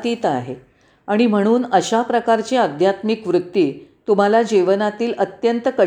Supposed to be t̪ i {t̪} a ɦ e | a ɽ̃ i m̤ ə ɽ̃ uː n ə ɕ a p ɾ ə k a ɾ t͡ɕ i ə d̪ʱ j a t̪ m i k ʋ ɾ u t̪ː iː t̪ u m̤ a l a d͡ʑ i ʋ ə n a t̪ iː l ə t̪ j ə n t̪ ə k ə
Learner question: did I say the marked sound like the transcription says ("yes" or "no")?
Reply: yes